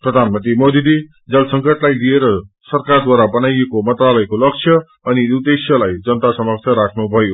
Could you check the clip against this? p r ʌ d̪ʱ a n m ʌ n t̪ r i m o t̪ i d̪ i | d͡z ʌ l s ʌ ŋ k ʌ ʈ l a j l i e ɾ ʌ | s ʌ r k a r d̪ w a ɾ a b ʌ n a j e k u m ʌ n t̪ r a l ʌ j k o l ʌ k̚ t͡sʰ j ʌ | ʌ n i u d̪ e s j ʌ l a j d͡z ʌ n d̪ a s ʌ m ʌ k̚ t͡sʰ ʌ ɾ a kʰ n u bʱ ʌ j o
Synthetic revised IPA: p r ʌ d̪ʱ a n m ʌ n t̪ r i m o d̪ i d̪ i | d͡z ʌ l s ʌ ŋ k ʌ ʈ l a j l i e ɾ ʌ | s ʌ r k a r d̪ w a ɾ a b ʌ n a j e k o m ʌ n t̪ r a l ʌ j k o l ʌ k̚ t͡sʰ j ʌ | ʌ n i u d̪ e s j ʌ l a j d͡z ʌ n t̪ a s ʌ m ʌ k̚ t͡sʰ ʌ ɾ a kʰ n u bʱ ʌ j o

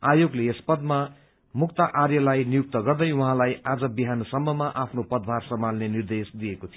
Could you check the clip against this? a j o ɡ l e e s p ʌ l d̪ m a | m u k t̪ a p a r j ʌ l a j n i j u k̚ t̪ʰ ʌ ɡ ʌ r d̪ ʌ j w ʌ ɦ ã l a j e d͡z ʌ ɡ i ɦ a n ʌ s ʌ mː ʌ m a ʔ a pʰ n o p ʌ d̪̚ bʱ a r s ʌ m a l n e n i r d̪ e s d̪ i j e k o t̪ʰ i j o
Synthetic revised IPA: a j o ɡ l e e s p ʌ d̪ m a | m u k t̪ a ʔ a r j ʌ l a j n i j u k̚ t̪ ʌ ɡ ʌ r d̪ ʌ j w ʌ ɦ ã l a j a d͡z ʌ b i ɦ a n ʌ s ʌ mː ʌ m a ʔ a pʰ n o p ʌ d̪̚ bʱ a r s ʌ m a l n e n i r d̪ e s d̪ i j e k o t̪ʰ i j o

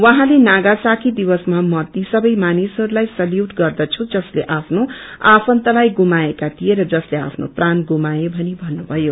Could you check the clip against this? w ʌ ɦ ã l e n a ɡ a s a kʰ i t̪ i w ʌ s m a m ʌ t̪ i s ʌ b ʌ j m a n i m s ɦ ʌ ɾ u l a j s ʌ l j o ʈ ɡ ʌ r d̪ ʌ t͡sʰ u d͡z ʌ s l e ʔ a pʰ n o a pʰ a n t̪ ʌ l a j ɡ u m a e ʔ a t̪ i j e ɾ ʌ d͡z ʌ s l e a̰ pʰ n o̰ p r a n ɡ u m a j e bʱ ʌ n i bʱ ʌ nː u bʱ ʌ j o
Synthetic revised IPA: w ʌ ɦ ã l e n a ɡ a s a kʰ i d̪ i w ʌ s m a m ʌ t̪ i s ʌ b ʌ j m a n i s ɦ ʌ ɾ u l a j s ʌ l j u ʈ ɡ ʌ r d̪ ʌ t͡sʰ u d͡z ʌ s l e ʔ a pʰ n o a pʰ ʌ n t̪ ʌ l a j ɡ u m a e k a t̪ i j e ɾ ʌ d͡z ʌ s l e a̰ pʰ n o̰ p r a n ɡ u m a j e bʱ ʌ n i bʱ ʌ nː u bʱ ʌ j o

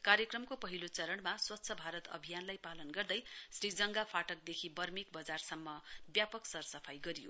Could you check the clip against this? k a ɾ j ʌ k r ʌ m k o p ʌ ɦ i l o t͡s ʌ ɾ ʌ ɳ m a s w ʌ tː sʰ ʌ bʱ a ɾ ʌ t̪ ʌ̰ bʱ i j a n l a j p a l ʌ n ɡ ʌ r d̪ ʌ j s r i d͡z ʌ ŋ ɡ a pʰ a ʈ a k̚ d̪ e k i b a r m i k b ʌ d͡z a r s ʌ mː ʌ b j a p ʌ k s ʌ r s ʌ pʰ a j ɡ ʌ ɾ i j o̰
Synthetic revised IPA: k a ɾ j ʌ k r ʌ m k o p ʌ ɦ i l o t͡s ʌ ɾ ʌ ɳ m a s w ʌ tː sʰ ʌ bʱ a ɾ ʌ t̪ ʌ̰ bʱ i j a n l a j p a l ʌ n ɡ ʌ r d̪ ʌ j s r i d͡z ʌ ŋ ɡ a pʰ a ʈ ʌ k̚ d̪ e kʰ i b ʌ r m i k b ʌ d͡z a r s ʌ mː ʌ b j a p ʌ k s ʌ r s ʌ pʰ a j ɡ ʌ ɾ i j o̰

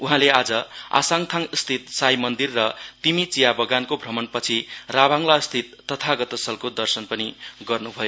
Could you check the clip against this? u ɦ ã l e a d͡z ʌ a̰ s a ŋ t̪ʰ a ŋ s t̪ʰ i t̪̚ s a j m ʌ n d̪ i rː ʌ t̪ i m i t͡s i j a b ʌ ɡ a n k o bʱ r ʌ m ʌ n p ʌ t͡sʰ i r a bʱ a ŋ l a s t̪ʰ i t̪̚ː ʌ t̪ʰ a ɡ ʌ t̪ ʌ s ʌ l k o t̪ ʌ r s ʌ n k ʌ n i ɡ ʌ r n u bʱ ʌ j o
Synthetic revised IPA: u ɦ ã l e a d͡z ʌ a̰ s a ŋ t̪ʰ a ŋ s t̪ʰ i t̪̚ s a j m ʌ n d̪ i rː ʌ t̪ i m i t͡s i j a b ʌ ɡ a n k o bʱ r ʌ m ʌ n p ʌ t͡sʰ i r a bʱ a ŋ l a s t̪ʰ i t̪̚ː ʌ t̪ʰ a ɡ ʌ t̪ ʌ s ʌ l k o d̪ ʌ r s ʌ n p ʌ n i ɡ ʌ r n u bʱ ʌ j o

